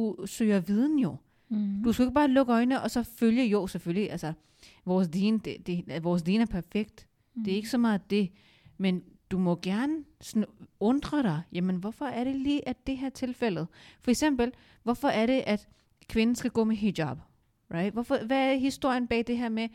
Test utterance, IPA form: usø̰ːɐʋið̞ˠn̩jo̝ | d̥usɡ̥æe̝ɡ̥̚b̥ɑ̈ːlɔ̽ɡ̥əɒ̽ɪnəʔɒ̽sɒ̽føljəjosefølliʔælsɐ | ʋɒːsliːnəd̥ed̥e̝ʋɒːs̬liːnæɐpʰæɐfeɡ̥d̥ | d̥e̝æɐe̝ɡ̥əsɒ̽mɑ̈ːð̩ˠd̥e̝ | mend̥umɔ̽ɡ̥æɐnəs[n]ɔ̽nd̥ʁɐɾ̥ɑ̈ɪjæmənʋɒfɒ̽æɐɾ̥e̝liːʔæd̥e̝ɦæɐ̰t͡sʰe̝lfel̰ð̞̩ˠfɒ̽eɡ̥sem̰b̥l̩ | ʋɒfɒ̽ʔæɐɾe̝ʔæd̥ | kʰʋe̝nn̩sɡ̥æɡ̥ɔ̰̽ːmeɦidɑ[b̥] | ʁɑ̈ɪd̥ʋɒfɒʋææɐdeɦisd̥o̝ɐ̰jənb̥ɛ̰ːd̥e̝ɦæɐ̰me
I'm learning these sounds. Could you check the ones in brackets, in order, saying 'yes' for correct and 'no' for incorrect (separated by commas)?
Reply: yes, yes